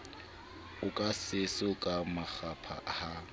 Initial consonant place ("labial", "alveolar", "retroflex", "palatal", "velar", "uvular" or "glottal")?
velar